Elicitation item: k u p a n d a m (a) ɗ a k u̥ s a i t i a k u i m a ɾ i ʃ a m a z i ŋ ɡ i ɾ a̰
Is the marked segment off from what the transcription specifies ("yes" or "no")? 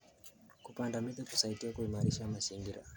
yes